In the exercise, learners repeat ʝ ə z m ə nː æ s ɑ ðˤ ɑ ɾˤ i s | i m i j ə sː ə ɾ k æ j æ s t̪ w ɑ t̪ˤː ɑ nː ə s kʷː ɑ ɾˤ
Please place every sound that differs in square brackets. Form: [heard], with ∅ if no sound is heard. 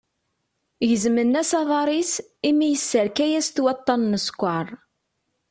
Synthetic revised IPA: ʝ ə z m ə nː æ s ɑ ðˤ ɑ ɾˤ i s | i m i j ə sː ə ɾ k æ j æ s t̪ w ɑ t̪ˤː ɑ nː ə s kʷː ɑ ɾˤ